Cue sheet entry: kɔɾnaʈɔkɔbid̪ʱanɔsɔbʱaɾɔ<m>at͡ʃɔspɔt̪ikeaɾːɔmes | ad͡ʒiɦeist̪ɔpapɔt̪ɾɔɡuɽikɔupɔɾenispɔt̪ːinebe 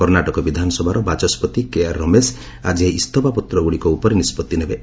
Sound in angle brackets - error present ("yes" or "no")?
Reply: yes